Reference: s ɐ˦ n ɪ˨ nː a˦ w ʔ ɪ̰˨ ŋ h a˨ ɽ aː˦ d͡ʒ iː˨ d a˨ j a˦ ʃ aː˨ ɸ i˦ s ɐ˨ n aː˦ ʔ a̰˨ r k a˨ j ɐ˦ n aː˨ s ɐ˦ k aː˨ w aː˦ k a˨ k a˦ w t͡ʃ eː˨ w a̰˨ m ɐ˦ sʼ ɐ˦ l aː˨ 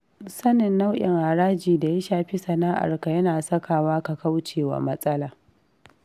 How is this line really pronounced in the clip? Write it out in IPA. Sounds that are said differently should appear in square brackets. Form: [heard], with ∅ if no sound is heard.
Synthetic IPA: s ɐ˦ n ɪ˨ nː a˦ w ʔ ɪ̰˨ ŋ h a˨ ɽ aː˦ d͡ʒ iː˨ d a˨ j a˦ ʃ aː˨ ɸ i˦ s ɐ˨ n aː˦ ʔ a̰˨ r k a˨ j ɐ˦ n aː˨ s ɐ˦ k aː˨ w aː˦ k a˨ k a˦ w t͡ʃ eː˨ w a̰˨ m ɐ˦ sʼ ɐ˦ l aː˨